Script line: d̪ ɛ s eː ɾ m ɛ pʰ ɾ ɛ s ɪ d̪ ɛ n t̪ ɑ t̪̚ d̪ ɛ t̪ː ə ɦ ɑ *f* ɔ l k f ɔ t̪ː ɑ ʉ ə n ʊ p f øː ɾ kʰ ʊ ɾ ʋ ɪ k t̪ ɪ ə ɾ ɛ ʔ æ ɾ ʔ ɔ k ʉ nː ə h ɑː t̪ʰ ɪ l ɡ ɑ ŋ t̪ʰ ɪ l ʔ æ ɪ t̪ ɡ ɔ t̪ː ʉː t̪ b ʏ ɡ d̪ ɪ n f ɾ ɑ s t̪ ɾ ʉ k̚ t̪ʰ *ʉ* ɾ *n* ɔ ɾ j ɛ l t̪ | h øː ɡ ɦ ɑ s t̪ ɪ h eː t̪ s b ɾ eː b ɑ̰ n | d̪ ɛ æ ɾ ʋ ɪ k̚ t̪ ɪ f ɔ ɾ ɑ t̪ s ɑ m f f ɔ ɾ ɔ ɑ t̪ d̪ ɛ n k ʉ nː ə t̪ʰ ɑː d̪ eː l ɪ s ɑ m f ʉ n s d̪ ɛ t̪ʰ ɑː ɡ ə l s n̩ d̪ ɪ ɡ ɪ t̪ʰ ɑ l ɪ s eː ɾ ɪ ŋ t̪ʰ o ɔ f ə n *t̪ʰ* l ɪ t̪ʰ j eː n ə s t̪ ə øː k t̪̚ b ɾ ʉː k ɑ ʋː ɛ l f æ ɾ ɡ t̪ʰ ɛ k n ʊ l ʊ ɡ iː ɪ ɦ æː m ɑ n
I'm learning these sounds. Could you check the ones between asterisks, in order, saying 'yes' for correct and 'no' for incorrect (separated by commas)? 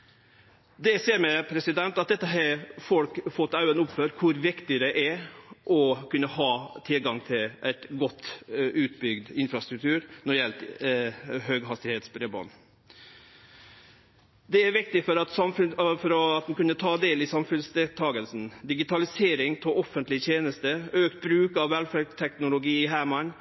yes, no, yes, no